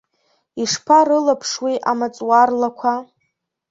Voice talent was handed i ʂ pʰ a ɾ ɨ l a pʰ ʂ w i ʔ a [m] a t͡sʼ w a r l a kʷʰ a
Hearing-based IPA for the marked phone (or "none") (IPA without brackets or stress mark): m